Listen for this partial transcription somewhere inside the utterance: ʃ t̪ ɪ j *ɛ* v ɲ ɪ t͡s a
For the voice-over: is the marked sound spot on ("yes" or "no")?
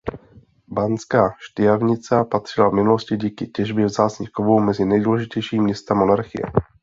no